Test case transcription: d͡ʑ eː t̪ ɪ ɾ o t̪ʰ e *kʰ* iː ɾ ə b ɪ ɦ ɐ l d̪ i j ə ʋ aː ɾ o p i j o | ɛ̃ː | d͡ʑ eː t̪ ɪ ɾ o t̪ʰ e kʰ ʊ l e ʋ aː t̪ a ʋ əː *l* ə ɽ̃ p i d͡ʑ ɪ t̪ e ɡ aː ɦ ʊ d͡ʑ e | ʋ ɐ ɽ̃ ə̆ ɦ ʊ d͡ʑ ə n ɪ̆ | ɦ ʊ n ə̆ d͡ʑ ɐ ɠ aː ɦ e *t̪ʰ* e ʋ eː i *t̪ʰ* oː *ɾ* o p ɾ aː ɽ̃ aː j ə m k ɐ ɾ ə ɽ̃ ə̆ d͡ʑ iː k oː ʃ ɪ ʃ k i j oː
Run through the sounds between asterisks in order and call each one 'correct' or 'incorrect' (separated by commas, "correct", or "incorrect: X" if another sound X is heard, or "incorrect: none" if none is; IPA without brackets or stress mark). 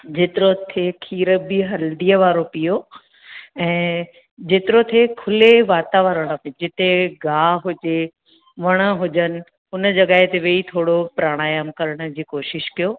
correct, incorrect: ɾ, incorrect: t̪, correct, incorrect: ɽ